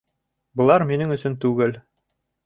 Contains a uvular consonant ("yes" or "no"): no